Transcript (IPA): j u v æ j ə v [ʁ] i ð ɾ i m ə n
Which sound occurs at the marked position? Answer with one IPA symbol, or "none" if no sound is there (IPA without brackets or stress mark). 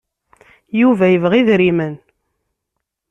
ʁ